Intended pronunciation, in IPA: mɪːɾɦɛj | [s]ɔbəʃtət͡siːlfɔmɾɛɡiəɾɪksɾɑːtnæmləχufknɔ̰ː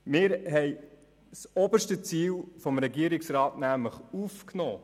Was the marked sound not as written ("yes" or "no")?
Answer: no